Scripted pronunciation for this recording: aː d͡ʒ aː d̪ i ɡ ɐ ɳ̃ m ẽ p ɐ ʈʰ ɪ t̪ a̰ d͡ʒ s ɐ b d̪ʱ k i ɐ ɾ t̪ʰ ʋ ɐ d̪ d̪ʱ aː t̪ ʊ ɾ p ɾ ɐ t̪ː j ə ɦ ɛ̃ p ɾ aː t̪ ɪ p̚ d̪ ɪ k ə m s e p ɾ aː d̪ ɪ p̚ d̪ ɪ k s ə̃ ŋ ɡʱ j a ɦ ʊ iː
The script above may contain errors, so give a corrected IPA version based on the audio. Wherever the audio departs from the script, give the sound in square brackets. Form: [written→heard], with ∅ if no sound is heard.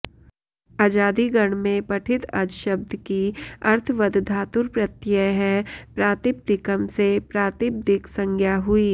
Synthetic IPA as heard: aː d͡ʒ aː d̪ i ɡ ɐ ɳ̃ m ẽ p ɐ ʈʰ ɪ t̪ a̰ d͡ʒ [s→ʃ] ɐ b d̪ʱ k i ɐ ɾ t̪ʰ ʋ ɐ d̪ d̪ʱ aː t̪ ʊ ɾ p ɾ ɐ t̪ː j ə ɦ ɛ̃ p ɾ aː t̪ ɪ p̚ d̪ ɪ k ə m s e p ɾ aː [d̪→t̪] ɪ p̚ d̪ ɪ k s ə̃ ŋ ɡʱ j a ɦ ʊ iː

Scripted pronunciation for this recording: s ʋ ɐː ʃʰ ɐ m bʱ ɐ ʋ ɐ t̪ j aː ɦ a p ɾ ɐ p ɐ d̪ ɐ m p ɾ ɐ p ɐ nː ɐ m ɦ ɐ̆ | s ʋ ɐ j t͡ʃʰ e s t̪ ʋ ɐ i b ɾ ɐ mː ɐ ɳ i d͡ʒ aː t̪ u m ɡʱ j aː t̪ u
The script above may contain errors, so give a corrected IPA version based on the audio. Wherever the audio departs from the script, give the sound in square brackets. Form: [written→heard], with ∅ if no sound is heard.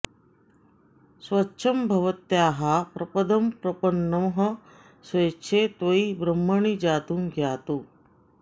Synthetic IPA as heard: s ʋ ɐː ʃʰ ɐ m bʱ ɐ ʋ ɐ t̪ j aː ɦ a p ɾ ɐ p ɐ d̪ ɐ m p ɾ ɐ p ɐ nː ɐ m ɦ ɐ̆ | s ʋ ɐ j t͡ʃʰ e [s→∅] t̪ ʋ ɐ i b ɾ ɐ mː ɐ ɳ i d͡ʒ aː t̪ u m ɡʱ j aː t̪ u

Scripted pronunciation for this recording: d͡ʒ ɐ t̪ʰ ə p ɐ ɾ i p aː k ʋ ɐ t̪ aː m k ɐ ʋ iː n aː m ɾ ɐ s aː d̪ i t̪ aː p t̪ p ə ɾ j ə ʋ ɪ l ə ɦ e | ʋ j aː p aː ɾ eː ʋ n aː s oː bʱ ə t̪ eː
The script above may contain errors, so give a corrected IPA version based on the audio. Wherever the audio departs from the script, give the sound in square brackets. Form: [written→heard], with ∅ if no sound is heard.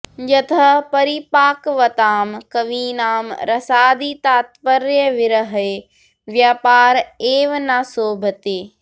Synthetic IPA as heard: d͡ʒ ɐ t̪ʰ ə p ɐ ɾ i p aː k ʋ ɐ t̪ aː m k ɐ ʋ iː n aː m ɾ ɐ s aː d̪ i t̪ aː [p→∅] t̪ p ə ɾ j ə ʋ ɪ [l→ɾ] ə ɦ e | ʋ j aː p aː ɾ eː ʋ n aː s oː bʱ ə t̪ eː

